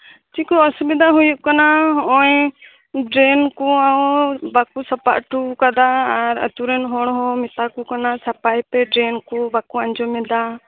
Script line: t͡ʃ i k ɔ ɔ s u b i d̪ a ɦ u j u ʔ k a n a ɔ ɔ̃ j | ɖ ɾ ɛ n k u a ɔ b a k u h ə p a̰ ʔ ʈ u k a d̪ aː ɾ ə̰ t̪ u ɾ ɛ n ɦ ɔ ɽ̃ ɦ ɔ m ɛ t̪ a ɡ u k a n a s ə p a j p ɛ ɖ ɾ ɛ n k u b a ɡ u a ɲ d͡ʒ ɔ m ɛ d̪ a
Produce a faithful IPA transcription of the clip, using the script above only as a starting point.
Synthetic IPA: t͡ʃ i k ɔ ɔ s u b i d̪ a ɦ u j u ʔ k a n a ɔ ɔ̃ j | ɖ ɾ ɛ n k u a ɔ b a k u s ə p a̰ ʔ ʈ u k a d̪ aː ɾ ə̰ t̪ u ɾ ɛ n ɦ ɔ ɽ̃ ɦ ɔ m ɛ t̪ a k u k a n a s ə p a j p ɛ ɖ ɾ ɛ n k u b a k u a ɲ d͡ʒ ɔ m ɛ d̪ a